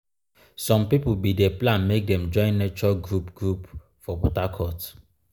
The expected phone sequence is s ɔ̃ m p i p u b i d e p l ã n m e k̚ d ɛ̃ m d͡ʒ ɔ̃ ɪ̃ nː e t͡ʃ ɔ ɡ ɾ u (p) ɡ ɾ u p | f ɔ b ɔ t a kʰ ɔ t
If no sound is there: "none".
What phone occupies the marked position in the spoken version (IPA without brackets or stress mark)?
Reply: p